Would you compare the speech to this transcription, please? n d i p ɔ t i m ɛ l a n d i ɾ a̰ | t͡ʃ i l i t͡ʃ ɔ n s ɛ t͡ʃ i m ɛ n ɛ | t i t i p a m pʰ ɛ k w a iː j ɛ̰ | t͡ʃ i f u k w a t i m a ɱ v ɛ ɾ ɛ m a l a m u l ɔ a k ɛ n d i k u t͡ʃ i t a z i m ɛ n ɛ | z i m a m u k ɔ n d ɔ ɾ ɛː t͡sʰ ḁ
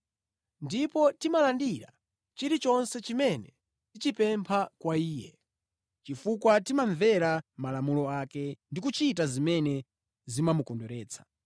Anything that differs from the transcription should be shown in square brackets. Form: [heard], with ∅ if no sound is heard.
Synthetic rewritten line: n d i p ɔ t i m [a] l a n d i ɾ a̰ | t͡ʃ i [ɾ] i t͡ʃ ɔ n s ɛ t͡ʃ i m ɛ n ɛ | t i [t͡ʃ] i p [ɛ] m pʰ [a] k w a iː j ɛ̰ | t͡ʃ i f u k w a t i m a ɱ v ɛ ɾ [a] m a l a m u l ɔ a k ɛ n d i k u t͡ʃ i t a z i m ɛ n ɛ | z i m a m u k ɔ n d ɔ ɾ ɛː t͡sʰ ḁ